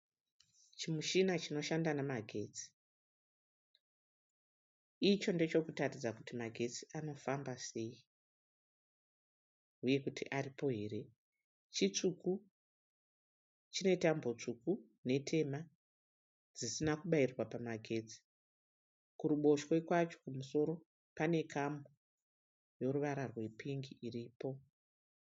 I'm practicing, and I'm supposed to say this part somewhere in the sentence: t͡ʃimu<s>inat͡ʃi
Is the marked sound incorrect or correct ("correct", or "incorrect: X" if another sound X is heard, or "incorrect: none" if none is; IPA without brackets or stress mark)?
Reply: incorrect: ʃ